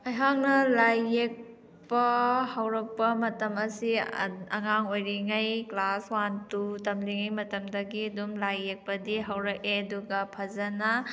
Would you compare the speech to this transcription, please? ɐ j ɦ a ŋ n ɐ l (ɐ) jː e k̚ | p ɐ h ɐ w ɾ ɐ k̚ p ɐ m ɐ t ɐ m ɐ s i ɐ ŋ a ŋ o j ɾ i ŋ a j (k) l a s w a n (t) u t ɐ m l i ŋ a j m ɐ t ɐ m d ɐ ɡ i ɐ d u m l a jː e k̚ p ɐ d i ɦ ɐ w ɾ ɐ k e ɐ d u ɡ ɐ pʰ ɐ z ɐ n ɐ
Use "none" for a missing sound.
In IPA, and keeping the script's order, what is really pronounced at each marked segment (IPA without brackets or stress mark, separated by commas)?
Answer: a, k, t